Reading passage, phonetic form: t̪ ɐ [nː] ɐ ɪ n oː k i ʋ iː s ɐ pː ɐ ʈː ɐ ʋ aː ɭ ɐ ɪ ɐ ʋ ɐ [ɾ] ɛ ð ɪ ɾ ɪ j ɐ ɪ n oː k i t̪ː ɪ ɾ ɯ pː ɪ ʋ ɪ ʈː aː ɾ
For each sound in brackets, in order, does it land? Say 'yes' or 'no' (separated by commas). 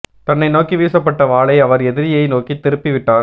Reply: yes, yes